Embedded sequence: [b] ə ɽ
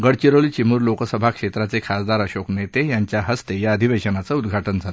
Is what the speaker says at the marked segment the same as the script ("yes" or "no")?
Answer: no